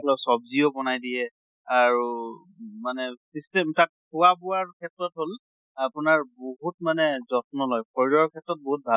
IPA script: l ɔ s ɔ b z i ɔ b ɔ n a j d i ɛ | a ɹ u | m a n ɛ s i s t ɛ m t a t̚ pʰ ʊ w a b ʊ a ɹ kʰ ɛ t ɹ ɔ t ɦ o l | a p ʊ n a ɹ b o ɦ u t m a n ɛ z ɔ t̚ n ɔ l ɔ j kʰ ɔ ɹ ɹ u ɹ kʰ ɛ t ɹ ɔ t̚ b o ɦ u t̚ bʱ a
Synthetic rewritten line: l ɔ s ɔ b z i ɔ b ɔ n a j d i ɛ | a ɹ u | m a n ɛ s i s t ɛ m t a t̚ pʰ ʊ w a b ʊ a ɹ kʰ ɛ t ɹ ɔ t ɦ o l | a p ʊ n a ɹ b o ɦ u t m a n ɛ z ɔ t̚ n ɔ l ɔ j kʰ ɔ ɹ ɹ ɔ ɹ kʰ ɛ t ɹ ɔ t̚ b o ɦ u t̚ bʱ a